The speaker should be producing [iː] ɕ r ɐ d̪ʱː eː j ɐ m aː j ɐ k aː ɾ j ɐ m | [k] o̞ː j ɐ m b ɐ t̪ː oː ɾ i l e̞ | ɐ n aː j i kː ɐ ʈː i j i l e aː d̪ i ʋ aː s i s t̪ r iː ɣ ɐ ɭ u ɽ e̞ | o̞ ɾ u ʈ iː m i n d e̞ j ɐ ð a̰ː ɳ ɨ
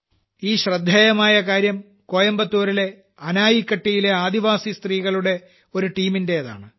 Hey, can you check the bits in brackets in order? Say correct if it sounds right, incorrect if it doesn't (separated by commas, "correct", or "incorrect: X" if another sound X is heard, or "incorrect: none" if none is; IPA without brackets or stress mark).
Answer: correct, correct